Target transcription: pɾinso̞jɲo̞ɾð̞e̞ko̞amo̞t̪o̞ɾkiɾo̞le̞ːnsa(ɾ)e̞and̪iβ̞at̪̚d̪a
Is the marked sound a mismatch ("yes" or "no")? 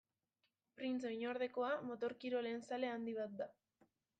yes